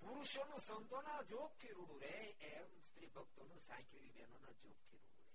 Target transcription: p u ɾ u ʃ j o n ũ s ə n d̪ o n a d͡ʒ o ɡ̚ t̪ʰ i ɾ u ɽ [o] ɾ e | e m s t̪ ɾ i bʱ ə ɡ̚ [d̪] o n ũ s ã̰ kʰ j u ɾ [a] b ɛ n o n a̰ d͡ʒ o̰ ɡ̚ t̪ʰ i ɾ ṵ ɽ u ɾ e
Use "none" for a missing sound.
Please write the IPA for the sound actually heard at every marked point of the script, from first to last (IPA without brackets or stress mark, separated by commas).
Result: u, t̪, i